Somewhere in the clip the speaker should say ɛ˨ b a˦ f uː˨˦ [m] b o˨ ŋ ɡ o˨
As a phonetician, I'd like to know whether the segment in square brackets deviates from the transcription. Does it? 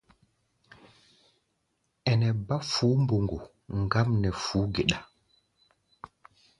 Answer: no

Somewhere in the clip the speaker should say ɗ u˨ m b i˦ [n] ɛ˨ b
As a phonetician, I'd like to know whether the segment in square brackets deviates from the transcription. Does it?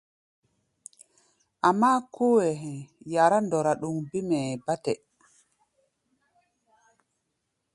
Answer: yes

